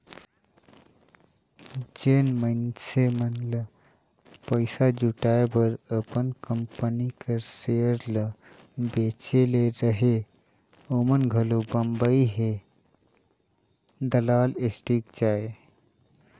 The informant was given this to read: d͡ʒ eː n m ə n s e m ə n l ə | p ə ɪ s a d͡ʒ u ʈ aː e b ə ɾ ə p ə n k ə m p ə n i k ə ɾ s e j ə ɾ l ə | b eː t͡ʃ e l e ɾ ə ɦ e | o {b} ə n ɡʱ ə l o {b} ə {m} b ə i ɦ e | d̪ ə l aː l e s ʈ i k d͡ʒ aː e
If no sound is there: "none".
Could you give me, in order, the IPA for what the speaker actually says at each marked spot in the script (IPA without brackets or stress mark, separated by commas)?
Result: m, b, m